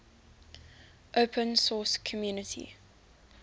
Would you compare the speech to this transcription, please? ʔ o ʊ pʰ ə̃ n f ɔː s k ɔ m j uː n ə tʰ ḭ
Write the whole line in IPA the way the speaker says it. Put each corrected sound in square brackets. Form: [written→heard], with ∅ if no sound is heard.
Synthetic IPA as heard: ʔ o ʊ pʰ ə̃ n [f→s] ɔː s [k→kʰ] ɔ m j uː n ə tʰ ḭ